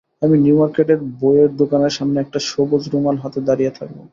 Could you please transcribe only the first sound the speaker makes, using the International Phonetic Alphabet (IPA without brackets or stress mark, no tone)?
a